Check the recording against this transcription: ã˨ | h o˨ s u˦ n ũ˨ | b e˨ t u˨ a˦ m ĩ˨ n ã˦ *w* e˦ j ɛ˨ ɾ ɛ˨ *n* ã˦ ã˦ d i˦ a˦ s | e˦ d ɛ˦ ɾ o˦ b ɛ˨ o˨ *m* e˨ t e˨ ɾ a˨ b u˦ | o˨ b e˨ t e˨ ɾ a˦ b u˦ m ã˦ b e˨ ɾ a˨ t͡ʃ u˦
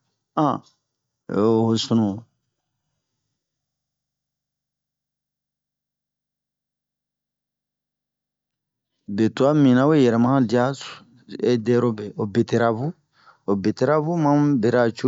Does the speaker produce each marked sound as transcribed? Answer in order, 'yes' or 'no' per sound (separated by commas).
yes, no, no